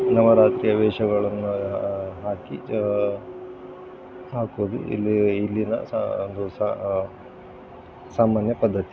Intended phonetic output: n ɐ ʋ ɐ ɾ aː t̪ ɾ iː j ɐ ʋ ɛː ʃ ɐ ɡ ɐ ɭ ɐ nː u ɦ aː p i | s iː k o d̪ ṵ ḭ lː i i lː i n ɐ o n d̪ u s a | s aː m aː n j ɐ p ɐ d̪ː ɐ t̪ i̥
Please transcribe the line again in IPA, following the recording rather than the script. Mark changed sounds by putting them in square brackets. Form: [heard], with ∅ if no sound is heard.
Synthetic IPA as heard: n ɐ ʋ ɐ ɾ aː t̪ ɾ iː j ɐ ʋ ɛː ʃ ɐ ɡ ɐ ɭ ɐ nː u ɦ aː [k] i | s [aː] k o d̪ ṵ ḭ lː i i lː i n ɐ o n d̪ u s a | s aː m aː n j ɐ p ɐ d̪ː ɐ t̪ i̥